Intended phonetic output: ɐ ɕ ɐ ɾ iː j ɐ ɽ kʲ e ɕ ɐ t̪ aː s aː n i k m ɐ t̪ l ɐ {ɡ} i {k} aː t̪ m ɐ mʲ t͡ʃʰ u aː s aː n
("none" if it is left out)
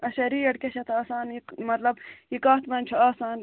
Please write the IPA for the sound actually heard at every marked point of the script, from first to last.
b, k

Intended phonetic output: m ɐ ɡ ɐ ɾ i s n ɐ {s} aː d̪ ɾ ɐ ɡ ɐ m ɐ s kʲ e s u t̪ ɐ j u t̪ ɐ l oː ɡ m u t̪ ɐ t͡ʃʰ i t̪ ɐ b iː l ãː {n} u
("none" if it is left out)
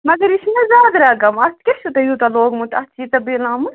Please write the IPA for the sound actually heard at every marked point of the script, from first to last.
z, m

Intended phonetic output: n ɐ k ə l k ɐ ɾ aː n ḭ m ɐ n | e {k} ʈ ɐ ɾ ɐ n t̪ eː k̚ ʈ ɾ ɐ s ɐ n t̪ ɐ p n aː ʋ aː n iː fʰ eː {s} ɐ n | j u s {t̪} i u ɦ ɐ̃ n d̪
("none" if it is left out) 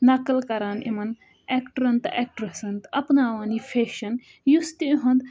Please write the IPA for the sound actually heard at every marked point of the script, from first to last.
k, ʃ, t̪

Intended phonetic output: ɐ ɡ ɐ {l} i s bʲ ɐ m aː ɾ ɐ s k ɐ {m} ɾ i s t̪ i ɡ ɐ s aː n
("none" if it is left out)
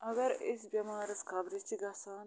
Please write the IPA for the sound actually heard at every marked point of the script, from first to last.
ɾ, b

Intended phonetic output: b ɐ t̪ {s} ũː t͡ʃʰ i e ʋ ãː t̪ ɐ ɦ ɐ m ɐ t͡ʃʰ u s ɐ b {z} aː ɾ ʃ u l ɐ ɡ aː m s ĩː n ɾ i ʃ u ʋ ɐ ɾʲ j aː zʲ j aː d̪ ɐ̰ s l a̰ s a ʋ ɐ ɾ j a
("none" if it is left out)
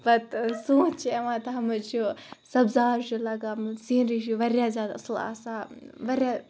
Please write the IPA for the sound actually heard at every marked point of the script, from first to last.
s, z

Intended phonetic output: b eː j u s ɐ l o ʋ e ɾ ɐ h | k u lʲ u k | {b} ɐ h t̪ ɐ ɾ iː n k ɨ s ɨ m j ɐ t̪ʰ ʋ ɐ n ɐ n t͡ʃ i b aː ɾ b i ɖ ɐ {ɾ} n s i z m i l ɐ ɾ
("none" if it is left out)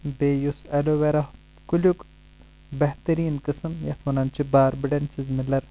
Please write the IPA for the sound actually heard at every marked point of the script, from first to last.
b, none

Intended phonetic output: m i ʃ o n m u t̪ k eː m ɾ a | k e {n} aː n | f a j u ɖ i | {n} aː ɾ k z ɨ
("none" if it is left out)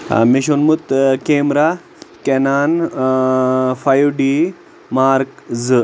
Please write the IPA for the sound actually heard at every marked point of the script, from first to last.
n, m

